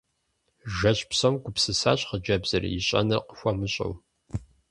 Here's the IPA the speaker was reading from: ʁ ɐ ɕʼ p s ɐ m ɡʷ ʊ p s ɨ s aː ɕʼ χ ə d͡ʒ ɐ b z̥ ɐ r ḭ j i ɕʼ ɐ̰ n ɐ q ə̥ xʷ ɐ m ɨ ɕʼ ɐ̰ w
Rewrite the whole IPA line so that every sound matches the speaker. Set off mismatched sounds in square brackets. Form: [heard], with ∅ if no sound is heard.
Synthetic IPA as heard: [ʒ] ɐ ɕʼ p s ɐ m ɡʷ ʊ p s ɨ s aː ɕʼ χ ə d͡ʒ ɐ b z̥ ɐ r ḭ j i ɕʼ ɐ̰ n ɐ q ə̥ xʷ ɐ m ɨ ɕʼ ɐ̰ w